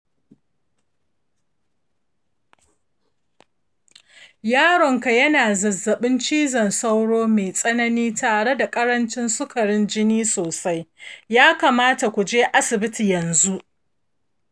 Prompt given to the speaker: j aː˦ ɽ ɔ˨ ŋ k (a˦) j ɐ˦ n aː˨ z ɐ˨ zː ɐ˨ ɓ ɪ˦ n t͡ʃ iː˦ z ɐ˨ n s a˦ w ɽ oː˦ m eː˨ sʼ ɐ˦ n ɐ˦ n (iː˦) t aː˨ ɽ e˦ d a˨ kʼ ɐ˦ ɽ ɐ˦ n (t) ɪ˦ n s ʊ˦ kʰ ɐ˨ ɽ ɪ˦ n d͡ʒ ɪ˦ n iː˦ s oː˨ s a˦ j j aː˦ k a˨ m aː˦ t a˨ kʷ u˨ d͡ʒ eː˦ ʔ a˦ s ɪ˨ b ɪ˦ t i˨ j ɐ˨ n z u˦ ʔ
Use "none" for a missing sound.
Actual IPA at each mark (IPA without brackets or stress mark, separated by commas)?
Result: a˨, iː˦, t͡ʃ